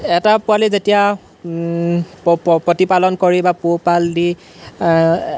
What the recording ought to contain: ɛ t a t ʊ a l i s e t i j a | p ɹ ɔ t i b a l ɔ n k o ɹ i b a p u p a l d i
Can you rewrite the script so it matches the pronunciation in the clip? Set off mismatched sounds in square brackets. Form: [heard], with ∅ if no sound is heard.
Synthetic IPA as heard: ɛ t a [p] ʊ a l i [z] e t i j a | p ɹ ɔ t i [p] a l ɔ n k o ɹ i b a p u p a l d i